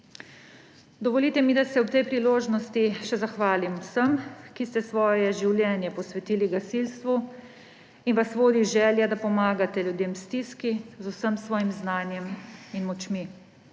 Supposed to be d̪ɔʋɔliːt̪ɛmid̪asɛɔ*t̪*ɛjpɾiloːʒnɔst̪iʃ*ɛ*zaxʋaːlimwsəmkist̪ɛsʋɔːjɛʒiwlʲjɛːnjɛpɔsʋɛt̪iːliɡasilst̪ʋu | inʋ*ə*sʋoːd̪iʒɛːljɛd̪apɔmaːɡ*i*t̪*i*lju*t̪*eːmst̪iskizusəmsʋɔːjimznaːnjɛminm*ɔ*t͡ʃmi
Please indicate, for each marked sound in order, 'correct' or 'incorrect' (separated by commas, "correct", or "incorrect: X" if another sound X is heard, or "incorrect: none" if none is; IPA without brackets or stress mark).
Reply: correct, correct, incorrect: a, incorrect: a, incorrect: ɛ, incorrect: d̪, correct